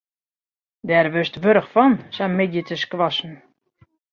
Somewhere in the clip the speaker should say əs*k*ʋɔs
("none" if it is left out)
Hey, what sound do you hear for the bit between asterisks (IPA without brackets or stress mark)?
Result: k